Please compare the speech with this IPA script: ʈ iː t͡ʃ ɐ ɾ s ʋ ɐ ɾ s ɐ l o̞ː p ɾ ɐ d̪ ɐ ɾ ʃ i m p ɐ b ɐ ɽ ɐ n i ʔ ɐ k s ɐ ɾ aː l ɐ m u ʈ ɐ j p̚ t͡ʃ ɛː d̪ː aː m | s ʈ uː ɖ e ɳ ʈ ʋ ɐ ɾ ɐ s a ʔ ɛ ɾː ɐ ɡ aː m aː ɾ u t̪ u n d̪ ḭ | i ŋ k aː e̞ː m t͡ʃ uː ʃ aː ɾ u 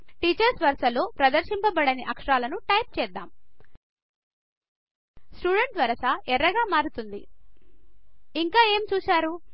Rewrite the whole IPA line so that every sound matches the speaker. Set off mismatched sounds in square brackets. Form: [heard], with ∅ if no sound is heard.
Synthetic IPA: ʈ iː t͡ʃ ɐ ɾ s ʋ ɐ ɾ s ɐ l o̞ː p ɾ ɐ d̪ ɐ ɾ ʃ i m p ɐ b ɐ ɽ ɐ n i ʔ ɐ k [ʂ] ɐ ɾ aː l ɐ [n] u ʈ ɐ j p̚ t͡ʃ ɛː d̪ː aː m | s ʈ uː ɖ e ɳ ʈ ʋ ɐ ɾ ɐ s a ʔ ɛ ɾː ɐ ɡ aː m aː ɾ u t̪ u n d̪ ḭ | i ŋ k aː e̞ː m t͡ʃ uː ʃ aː ɾ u